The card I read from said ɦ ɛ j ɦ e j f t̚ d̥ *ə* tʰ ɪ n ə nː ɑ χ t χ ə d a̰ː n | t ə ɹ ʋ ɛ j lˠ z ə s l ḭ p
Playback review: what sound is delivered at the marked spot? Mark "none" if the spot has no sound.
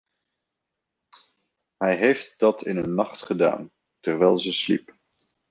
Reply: ɑ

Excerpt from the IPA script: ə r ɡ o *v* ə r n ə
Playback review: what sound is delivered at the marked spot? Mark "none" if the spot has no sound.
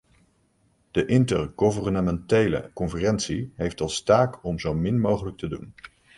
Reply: v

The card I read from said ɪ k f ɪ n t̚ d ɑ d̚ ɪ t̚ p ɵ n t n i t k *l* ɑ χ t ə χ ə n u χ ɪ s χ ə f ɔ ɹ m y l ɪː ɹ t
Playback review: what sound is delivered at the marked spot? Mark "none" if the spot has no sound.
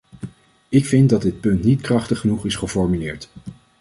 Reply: r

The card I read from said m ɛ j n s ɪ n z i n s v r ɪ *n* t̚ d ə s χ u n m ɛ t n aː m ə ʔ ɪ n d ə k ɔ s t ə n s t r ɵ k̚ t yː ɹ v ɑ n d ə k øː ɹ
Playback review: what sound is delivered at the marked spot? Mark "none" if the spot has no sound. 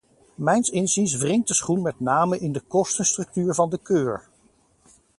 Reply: ŋ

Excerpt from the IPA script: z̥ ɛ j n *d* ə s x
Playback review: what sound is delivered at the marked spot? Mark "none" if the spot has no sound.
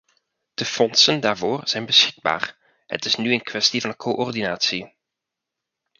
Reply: b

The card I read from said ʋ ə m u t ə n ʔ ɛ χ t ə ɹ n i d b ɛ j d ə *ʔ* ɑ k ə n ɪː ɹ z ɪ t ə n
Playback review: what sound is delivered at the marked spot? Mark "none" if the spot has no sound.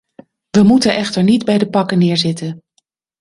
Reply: p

